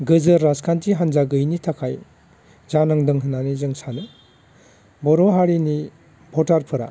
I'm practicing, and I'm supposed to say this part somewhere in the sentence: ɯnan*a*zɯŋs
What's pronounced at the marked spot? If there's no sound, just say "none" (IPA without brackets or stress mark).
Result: i